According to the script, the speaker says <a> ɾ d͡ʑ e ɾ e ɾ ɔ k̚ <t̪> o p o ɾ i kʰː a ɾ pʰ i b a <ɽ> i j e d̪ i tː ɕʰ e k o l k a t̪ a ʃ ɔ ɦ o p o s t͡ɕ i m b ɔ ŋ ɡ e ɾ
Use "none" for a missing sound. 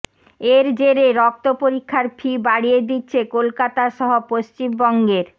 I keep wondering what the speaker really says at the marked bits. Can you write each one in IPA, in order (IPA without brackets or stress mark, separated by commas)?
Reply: e, t̪, ɽ